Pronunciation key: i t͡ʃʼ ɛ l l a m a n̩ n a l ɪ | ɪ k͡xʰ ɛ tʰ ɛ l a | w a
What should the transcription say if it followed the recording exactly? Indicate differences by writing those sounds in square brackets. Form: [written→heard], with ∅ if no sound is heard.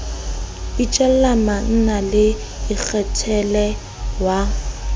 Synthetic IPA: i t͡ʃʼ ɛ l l a m a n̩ n a l ɪ | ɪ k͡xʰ ɛ tʰ ɛ l [a→ɛ] | w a